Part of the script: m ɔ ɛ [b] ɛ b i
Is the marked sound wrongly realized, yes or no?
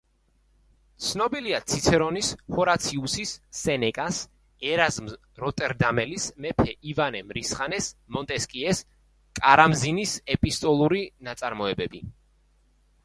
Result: no